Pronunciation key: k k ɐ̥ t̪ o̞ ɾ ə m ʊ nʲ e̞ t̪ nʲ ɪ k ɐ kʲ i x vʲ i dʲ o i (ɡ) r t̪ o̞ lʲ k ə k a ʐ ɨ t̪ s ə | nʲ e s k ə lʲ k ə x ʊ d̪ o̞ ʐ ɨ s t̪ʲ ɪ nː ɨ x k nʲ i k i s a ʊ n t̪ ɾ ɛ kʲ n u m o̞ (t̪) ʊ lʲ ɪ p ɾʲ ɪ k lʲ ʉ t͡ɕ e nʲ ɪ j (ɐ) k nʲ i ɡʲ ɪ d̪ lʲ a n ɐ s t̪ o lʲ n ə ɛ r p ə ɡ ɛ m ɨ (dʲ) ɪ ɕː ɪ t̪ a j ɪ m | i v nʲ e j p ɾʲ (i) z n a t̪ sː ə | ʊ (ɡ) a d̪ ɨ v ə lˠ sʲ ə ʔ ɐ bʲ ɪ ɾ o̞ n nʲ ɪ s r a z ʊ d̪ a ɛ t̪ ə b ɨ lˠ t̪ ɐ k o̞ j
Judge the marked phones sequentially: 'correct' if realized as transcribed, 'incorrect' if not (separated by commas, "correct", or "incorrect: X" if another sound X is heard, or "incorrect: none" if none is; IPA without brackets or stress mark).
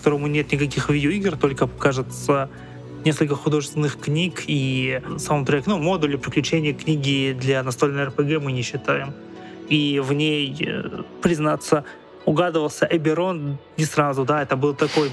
correct, incorrect: d̪, incorrect: ə, incorrect: nʲ, incorrect: ɪ, correct